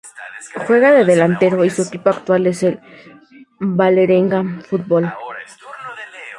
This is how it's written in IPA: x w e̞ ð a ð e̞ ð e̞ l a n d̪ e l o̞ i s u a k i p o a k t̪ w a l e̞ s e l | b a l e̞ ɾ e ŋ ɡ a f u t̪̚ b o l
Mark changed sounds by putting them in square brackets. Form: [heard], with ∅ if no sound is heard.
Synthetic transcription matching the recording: x w e̞ [ɣ] a ð e̞ ð e̞ l a n [t̪] e [ɾ] o̞ i s u [e] k i p o a k t̪ w a l e̞ s e l | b a l e̞ ɾ e ŋ ɡ a f u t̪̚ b o l

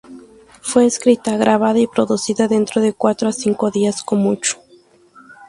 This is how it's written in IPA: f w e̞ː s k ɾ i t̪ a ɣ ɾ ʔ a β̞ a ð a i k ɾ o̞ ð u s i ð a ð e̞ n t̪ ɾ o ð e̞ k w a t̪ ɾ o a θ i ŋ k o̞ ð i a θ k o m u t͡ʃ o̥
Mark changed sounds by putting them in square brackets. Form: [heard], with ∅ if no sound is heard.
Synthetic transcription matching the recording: f w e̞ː s k ɾ i t̪ a ɣ ɾ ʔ a β̞ a ð a i [p] ɾ o̞ ð u s i ð a ð e̞ n t̪ ɾ o ð e̞ k w a t̪ ɾ o a [s] i ŋ k o̞ ð i a [s] k o m u t͡ʃ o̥

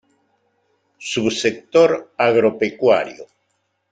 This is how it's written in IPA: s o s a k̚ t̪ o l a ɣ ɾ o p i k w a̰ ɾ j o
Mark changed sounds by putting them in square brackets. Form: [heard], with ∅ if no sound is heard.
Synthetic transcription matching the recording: s [u] s [e] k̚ t̪ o [ɾ] a ɣ ɾ o p [e] k w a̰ ɾ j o

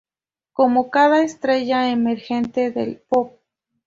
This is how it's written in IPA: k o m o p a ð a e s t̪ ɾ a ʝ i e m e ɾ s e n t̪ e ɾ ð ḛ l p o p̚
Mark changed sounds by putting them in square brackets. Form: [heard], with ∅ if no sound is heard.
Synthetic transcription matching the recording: k o m o [k] a ð a e s t̪ ɾ [e] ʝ [a] e m e ɾ [x] e n t̪ e [∅] ð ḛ l p o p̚

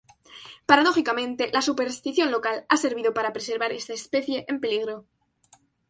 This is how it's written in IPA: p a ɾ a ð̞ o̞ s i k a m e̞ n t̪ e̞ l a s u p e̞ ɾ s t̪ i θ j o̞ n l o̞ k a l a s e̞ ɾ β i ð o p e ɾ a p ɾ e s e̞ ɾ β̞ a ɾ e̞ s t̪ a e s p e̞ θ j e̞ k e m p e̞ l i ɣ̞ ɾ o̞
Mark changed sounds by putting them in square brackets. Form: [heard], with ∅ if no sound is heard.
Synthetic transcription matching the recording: p a ɾ a ð̞ o̞ [x] i k a m [ẽ̞] n t̪ e̞ l a s u p e̞ ɾ s t̪ i θ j o̞ n l o̞ k a l a s e̞ ɾ β i ð o p [a] ɾ a p ɾ e s e̞ ɾ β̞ a ɾ e̞ s t̪ a e s p e̞ θ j e̞ [ʔ] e m p e̞ l i ɣ̞ ɾ o̞

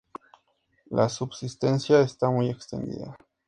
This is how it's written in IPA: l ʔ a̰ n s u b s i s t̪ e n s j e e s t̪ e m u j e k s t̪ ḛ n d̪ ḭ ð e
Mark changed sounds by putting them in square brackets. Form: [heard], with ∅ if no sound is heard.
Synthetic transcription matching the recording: l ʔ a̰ [∅] s u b s i s t̪ e n s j [a] e s t̪ [a] m u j e k s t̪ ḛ n d̪ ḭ ð [a]

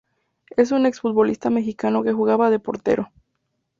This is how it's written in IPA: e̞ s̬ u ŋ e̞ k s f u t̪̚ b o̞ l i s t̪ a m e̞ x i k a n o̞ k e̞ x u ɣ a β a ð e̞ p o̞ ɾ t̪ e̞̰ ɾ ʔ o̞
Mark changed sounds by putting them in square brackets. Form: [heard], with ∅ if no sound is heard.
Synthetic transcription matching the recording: e̞ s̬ u [n] e̞ k s f u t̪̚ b o̞ l i s t̪ a m e̞ x i k a n o̞ k e̞ x u ɣ a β a ð e̞ p o̞ ɾ t̪ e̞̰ ɾ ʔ o̞

